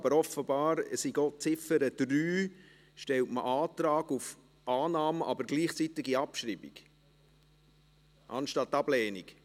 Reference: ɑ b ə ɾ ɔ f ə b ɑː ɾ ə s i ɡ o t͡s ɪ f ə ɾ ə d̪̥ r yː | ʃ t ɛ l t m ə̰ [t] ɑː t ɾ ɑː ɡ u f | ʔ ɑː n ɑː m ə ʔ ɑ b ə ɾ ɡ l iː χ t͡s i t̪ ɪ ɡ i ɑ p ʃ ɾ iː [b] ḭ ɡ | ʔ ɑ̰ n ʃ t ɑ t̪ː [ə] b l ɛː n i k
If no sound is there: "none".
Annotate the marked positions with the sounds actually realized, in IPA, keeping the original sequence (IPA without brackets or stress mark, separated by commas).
ʔ, b, ɑ